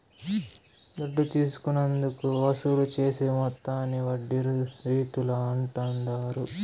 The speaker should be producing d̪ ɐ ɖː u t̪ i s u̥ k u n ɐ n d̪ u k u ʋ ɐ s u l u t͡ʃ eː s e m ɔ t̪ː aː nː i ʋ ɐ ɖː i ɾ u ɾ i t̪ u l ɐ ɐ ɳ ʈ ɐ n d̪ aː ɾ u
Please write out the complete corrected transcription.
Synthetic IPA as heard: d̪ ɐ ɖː u t̪ iː s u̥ k u n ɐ n d̪ u k u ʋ ɐ s u l u t͡ʃ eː s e m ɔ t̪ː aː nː i ʋ ɐ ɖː i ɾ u ɾ iː t̪ u l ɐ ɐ ɳ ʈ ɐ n d̪ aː ɾ u

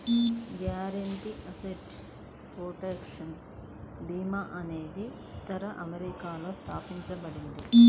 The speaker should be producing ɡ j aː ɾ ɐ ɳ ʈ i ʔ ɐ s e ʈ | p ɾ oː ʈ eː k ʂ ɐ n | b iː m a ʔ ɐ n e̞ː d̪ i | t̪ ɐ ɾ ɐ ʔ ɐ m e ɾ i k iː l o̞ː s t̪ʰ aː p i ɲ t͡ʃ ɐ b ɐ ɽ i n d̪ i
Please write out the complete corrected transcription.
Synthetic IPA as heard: ɡ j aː ɾ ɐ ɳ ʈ i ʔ ɐ s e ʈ | p ɾ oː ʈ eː k ʂ ɐ n | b iː m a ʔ ɐ n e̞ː d̪ i | t̪ ɐ ɾ ɐ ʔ ɐ m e ɾ i k aː l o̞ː s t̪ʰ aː p i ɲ t͡ʃ ɐ b ɐ ɽ i n d̪ i

